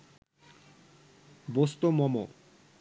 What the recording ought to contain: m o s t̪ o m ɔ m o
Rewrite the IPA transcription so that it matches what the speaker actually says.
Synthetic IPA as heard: b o s t̪ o m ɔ m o